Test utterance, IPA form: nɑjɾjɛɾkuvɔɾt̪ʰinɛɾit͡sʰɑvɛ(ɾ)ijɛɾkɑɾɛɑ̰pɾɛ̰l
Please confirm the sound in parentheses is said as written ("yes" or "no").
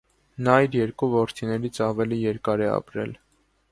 no